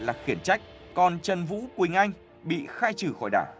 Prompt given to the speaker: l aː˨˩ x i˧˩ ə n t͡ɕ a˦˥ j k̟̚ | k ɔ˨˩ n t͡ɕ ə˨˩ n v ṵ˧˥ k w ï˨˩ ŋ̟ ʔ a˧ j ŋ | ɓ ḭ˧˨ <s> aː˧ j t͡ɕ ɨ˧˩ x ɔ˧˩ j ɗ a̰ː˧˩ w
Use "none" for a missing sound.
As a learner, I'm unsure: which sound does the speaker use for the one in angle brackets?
x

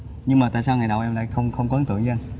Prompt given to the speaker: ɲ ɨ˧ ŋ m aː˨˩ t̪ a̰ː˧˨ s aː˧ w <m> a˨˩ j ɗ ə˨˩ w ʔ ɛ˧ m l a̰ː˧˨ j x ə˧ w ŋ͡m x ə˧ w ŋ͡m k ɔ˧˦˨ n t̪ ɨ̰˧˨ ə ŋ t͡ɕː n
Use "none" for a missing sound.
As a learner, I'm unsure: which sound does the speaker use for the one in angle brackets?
ŋ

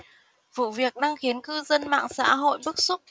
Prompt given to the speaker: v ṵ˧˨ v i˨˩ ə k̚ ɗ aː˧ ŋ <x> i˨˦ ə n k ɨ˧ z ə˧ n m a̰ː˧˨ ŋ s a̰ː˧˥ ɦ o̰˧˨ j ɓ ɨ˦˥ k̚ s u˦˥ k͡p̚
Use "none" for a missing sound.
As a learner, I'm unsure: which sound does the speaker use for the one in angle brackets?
x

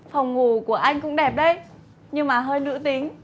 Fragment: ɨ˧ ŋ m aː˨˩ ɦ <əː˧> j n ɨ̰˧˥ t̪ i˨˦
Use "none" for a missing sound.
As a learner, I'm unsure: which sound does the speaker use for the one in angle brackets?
əː˧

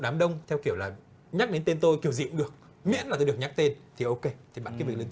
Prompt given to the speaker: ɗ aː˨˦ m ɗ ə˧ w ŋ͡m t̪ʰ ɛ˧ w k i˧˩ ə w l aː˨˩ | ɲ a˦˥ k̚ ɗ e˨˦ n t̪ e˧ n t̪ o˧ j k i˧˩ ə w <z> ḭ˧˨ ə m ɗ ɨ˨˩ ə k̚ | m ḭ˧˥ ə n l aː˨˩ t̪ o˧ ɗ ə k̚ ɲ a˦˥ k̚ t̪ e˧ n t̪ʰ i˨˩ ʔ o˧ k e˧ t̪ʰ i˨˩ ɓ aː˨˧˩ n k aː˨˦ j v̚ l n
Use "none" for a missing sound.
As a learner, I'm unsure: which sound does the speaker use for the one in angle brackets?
z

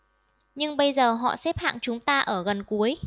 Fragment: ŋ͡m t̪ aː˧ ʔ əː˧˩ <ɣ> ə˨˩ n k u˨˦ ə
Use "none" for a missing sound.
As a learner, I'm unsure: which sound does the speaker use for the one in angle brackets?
ɣ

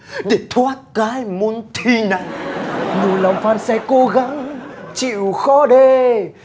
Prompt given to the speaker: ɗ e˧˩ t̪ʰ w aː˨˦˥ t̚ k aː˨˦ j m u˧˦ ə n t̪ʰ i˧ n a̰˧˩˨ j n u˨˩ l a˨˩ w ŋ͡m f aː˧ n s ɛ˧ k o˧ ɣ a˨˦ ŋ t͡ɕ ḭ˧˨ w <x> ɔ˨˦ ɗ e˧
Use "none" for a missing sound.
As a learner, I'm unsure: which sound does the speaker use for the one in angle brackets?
x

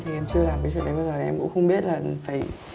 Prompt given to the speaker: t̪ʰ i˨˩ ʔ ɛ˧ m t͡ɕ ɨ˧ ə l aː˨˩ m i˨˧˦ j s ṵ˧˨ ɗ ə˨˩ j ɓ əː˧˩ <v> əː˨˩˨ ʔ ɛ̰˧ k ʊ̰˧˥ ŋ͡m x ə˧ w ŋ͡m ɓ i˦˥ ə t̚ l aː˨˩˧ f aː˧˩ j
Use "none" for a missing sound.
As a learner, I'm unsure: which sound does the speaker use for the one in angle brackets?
z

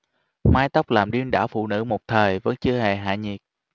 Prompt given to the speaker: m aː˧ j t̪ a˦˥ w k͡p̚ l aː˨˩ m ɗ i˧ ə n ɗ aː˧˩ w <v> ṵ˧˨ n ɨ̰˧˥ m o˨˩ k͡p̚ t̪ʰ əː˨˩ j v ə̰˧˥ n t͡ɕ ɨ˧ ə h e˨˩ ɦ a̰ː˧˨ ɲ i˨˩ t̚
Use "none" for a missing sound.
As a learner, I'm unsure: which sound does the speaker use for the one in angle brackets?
f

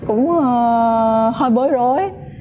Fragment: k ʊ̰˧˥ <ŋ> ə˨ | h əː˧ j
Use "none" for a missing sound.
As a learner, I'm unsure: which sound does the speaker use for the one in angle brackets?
ŋ͡m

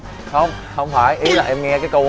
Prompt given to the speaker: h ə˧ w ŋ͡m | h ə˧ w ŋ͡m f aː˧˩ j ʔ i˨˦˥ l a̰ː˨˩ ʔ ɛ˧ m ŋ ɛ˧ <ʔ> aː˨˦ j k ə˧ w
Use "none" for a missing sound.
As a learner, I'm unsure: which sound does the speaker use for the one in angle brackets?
k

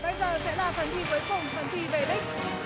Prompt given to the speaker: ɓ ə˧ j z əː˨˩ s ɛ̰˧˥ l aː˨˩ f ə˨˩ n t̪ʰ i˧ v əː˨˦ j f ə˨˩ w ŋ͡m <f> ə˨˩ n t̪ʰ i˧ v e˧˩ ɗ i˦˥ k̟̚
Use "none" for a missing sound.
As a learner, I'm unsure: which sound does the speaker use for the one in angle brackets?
f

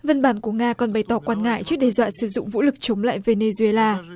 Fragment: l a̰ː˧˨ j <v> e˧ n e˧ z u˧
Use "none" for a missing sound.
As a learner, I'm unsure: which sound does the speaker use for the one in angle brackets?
v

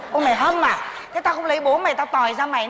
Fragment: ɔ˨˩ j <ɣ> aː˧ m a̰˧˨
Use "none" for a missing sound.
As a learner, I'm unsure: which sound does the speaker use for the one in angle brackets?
z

